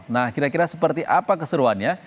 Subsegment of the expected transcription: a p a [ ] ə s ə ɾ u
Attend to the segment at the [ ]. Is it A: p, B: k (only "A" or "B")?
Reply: B